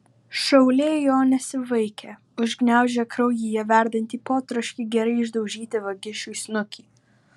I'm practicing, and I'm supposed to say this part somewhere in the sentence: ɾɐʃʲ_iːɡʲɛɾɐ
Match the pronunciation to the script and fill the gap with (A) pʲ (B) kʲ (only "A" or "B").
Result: B